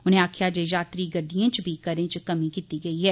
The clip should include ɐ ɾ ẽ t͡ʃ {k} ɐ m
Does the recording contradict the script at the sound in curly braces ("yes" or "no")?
no